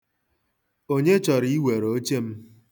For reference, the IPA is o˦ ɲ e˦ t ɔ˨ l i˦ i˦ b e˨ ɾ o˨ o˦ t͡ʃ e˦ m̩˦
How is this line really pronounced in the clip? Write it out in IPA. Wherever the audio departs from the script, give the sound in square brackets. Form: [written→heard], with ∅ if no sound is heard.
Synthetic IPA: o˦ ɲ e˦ [t→t͡ʃ] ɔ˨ [l→ɾ] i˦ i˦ [b→w] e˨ ɾ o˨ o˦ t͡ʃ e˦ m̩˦

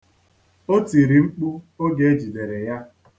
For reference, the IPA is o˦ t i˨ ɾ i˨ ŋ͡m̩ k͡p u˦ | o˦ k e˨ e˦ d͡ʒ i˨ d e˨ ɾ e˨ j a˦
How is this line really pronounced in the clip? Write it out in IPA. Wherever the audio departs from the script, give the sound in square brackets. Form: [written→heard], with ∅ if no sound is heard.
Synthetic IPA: o˦ t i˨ ɾ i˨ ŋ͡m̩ k͡p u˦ | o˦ [k→ɡ] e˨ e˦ d͡ʒ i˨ d e˨ ɾ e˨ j a˦

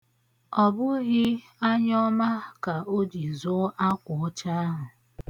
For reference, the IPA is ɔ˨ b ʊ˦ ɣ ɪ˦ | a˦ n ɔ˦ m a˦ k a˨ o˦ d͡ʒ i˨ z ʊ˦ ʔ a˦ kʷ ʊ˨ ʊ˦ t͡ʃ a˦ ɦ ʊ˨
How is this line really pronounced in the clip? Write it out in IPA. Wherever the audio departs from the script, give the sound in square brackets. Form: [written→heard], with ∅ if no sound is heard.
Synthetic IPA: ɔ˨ b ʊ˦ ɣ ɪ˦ | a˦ [n→ɲ] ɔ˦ m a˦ k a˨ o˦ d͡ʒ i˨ z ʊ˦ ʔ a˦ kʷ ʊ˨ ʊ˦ t͡ʃ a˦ ɦ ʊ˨

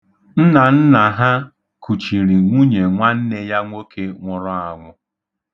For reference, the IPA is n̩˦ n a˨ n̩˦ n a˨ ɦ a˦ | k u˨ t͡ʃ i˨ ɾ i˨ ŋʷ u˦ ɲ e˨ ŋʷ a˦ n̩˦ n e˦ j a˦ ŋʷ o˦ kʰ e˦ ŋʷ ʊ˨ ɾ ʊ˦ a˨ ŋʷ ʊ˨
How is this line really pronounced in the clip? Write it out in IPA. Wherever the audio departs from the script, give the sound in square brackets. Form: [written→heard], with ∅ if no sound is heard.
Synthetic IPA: n̩˦ n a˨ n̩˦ n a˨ ɦ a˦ | k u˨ t͡ʃ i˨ ɾ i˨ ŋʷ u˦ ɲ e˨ ŋʷ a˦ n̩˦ n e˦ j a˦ ŋʷ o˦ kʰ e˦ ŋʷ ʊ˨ ɾ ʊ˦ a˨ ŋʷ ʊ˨

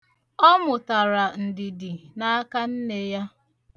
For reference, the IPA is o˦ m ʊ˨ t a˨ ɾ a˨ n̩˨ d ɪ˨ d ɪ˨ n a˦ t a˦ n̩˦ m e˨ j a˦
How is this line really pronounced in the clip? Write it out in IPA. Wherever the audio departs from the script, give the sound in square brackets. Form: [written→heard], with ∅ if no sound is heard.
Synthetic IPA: [o˦→ɔ˦] m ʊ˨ t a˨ ɾ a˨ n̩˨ d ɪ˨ d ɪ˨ n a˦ [t→k] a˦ n̩˦ [m→n] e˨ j a˦

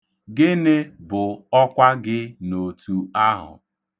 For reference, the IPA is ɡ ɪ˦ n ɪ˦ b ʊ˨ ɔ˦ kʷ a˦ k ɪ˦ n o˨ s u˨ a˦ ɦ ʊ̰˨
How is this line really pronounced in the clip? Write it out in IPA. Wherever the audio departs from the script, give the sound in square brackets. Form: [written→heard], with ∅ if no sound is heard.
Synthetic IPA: ɡ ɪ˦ n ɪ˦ b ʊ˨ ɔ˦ kʷ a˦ [k→ɡ] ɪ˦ n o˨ [s→t] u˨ a˦ ɦ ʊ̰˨

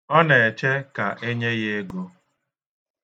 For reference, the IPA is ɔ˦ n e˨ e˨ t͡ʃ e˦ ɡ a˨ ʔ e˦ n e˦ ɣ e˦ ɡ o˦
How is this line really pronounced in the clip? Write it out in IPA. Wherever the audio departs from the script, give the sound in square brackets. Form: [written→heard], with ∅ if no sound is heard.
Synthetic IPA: ɔ˦ n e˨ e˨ t͡ʃ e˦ [ɡ→k] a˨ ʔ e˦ [n→ɲ] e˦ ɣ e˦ ɡ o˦

